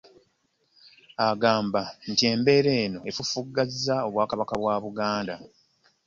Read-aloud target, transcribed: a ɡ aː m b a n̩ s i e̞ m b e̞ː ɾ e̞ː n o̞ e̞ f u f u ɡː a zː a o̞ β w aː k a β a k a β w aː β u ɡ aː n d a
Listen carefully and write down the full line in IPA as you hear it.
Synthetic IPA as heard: a ɡ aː m b a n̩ t i e̞ m b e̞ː ɾ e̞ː n o̞ e̞ f u f u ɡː a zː a o̞ β w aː k a β a k a β w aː β u ɡ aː n d a